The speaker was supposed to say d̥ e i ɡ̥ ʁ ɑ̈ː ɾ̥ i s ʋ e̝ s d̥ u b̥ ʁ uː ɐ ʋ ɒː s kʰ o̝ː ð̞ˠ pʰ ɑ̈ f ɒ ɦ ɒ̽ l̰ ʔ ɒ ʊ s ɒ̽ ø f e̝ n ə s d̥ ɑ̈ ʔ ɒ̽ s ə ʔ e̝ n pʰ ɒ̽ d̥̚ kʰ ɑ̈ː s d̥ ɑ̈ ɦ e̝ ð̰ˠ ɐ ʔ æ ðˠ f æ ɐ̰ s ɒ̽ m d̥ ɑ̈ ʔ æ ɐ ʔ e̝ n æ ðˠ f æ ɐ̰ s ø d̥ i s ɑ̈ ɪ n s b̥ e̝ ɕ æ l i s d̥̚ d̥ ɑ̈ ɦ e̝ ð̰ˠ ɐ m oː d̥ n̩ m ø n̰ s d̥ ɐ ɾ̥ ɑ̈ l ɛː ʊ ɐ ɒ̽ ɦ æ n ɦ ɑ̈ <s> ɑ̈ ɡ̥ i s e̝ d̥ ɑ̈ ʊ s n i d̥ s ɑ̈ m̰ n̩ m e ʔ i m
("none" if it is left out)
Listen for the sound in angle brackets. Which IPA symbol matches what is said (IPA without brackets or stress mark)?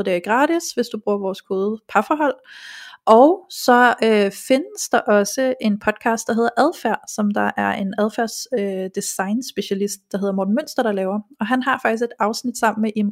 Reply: f